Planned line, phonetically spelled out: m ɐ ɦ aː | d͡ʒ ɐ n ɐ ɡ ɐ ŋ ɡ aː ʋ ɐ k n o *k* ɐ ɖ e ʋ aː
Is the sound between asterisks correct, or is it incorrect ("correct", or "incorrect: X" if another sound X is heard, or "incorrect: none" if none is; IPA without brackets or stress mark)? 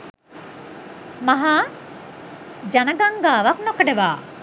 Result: correct